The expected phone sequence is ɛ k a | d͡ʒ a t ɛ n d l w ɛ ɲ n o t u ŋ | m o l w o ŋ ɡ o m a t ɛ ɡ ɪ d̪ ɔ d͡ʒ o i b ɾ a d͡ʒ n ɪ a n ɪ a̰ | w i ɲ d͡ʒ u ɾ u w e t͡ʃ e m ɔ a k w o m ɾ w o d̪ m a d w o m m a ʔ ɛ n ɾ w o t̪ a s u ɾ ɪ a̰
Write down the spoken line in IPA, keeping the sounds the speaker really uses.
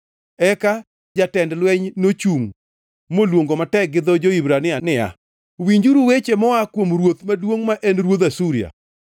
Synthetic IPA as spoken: ɛ k a | d͡ʒ a t ɛ n d l w ɛ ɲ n o t͡ʃ u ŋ | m o l w o ŋ ɡ o m a t ɛ ɡ ɪ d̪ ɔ d͡ʒ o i b ɾ a n ɪ a n ɪ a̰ | w i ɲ d͡ʒ u ɾ u w e t͡ʃ e m ɔ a k w o m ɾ w o t̪ m a d w o ŋ m a ʔ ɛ n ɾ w o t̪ a s u ɾ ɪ a̰

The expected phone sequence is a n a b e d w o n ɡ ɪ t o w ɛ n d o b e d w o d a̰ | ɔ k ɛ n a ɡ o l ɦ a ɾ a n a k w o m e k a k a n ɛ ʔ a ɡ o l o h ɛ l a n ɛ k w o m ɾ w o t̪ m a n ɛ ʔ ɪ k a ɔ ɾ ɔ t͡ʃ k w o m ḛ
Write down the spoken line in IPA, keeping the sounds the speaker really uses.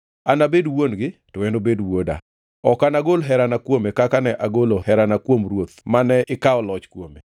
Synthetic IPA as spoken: a n a b e d w o n ɡ ɪ t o w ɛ n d o b e d w o d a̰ | ɔ k a n a ɡ o l ɦ ɛ ɾ a n a k w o m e k a k a n ɛ ʔ a ɡ o l o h ɛ ɾ a n a k w o m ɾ w o t̪ m a n ɛ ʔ ɪ k a ɔ l ɔ t͡ʃ k w o m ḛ

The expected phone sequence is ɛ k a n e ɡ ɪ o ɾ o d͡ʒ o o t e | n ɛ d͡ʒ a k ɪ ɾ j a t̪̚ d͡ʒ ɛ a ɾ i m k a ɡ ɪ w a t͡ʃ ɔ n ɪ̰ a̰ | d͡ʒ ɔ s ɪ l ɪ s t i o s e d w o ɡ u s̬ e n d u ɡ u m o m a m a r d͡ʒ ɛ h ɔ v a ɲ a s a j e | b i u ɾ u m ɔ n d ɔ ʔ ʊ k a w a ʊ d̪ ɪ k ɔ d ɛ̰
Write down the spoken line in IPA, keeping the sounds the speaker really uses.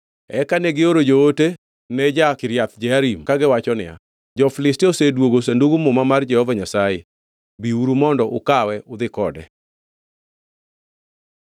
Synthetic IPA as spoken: ɛ k a n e ɡ ɪ o ɾ o d͡ʒ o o t e | n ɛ d͡ʒ a k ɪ ɾ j a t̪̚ d͡ʒ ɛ a ɾ i m k a ɡ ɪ w a t͡ʃ ɔ n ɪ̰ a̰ | d͡ʒ ɔ f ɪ l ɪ s t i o s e d w o ɡ o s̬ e n d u ɡ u m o m a m a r d͡ʒ ɛ h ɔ v a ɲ a s a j e | b i u ɾ u m ɔ n d ɔ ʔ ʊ k a w ɛ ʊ d̪ ɪ k ɔ d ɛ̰

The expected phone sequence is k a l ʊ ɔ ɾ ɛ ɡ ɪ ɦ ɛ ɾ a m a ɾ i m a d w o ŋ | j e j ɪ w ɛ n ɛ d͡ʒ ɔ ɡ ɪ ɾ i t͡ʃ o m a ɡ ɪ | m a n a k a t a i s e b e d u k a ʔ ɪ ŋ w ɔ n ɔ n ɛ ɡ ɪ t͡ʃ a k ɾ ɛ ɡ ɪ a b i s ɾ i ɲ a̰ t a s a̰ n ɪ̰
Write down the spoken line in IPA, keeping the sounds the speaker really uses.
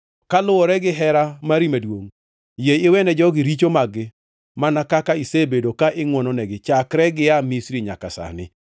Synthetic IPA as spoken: k a l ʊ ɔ ɾ ɛ ɡ ɪ ɦ ɛ ɾ a m a ɾ i m a d w o ŋ | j e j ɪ w ɛ n ɛ d͡ʒ ɔ ɡ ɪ ɾ i t͡ʃ o m a ɡ ɪ | m a n a k a k a i s e b e d o k a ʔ ɪ ŋ w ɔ n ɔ n ɛ ɡ ɪ t͡ʃ a k ɾ ɛ ɡ ɪ a m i s ɾ i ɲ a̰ k a s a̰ n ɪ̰

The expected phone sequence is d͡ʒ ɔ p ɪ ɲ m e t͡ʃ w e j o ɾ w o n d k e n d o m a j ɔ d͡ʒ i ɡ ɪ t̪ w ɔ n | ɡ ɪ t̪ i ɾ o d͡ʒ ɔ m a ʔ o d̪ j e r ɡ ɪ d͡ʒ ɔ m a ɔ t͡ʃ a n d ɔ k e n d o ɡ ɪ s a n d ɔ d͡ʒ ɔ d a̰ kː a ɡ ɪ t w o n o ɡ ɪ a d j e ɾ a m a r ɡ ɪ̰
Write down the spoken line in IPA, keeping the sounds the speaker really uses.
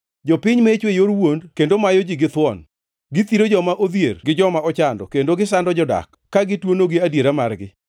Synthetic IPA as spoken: d͡ʒ ɔ p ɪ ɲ m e t͡ʃ w e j o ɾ w o n d k e n d o m a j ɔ d͡ʒ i ɡ ɪ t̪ w ɔ n | ɡ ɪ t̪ i ɾ o d͡ʒ ɔ m a ʔ o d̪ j e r ɡ ɪ d͡ʒ ɔ m a ɔ t͡ʃ a n d ɔ k e n d o ɡ ɪ s a n d ɔ d͡ʒ ɔ d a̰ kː a ɡ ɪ t w o n o ɡ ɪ a d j e ɾ a m a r ɡ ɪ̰

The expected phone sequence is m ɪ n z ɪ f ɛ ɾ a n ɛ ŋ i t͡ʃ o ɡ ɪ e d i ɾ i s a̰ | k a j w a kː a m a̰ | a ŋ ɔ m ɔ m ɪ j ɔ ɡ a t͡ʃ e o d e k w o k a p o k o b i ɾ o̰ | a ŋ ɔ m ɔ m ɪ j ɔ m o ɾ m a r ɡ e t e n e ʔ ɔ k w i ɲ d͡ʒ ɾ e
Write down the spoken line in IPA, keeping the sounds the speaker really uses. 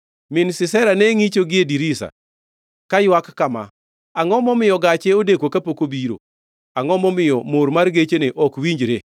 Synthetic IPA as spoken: m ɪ n s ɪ s ɛ ɾ a n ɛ ŋ i t͡ʃ o ɡ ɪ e d i ɾ i s a̰ | k a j w a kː a m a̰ | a ŋ ɔ m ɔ m ɪ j ɔ ɡ a t͡ʃ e o d e k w o k a p o k o b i ɾ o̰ | a ŋ ɔ m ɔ m ɪ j ɔ m o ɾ m a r ɡ e t͡ʃ e n e ʔ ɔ k w i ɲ d͡ʒ ɾ e

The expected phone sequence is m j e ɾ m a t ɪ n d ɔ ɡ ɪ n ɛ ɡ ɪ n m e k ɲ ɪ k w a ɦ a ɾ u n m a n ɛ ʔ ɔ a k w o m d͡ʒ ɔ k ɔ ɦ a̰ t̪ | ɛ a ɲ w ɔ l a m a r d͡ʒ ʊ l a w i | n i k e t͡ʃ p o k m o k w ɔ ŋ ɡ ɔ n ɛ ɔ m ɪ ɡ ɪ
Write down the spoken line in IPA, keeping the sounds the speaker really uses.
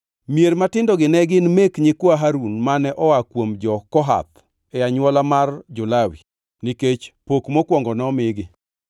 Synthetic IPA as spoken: m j e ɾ m a t ɪ n d ɔ ɡ ɪ n ɛ ɡ ɪ n m e k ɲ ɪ k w a ɦ a ɾ u n m a n ɛ ʔ ɔ a k w o m d͡ʒ ɔ k ɔ ɦ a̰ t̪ | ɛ a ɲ w ɔ l a m a r d͡ʒ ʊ l a w i | n i k e t͡ʃ p o k m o k w ɔ ŋ ɡ ɔ n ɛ ɔ m ɪ ɡ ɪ

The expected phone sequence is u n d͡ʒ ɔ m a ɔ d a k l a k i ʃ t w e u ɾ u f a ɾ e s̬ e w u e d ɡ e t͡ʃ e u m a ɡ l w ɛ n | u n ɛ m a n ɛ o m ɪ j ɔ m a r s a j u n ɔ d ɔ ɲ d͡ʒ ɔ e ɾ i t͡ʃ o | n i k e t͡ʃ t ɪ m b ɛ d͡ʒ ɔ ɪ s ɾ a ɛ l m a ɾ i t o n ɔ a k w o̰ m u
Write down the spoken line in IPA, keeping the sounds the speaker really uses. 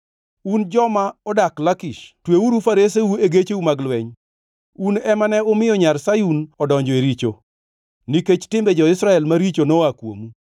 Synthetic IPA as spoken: u n d͡ʒ ɔ m a ɔ d a k l a k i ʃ t w e u ɾ u f a ɾ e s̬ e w u e ɡ e t͡ʃ e u m a ɡ l w ɛ ɲ | u n ɛ m a n ɛ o m ɪ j ɔ ɲ a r s a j u n ɔ d ɔ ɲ d͡ʒ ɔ e ɾ i t͡ʃ o | n i k e t͡ʃ t ɪ m b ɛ d͡ʒ ɔ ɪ s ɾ a ɛ l m a ɾ i t͡ʃ o n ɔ a k w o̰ m u

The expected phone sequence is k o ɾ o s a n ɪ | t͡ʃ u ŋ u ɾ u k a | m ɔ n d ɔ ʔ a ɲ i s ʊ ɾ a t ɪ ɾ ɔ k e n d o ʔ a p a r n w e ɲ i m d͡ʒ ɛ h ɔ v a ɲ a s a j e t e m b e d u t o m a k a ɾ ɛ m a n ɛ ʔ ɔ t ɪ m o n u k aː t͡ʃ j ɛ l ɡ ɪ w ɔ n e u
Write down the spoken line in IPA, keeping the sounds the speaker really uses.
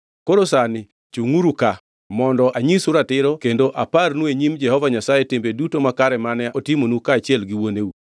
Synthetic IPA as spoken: k o ɾ o s a n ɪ | t͡ʃ u ŋ u ɾ u k a | m ɔ n d ɔ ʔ a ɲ i s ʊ ɾ a t ɪ ɾ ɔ k e n d o ʔ a p a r n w e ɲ i m d͡ʒ ɛ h ɔ v a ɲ a s a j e t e m b e d u t o m a k a ɾ ɛ m a n ɛ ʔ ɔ t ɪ m o n u k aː t͡ʃ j ɛ l ɡ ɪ w o n e u

